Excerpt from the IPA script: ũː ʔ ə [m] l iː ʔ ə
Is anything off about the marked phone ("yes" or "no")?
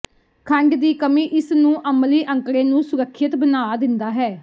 no